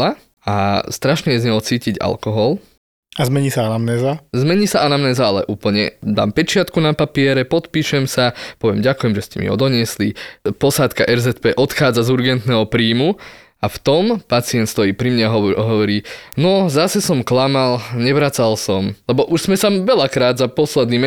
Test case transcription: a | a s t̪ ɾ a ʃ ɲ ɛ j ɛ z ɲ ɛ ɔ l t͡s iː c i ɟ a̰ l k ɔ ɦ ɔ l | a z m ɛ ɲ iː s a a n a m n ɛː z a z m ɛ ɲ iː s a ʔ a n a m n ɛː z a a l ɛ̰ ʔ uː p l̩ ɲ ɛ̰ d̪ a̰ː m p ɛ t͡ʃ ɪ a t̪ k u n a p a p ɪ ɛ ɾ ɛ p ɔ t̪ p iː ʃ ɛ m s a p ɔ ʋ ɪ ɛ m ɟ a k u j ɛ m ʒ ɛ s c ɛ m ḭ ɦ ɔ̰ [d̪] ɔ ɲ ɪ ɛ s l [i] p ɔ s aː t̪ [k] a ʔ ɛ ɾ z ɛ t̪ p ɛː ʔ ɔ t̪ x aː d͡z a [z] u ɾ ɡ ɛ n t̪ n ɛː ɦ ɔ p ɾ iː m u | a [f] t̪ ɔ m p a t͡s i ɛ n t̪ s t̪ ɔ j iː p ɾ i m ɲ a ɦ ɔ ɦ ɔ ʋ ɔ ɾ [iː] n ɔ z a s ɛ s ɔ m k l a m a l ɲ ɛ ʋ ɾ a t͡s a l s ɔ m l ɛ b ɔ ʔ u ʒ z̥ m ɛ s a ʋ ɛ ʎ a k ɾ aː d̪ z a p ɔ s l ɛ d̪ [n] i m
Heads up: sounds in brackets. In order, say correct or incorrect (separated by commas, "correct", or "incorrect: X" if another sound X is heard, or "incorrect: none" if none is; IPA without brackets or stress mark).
correct, correct, correct, correct, correct, correct, correct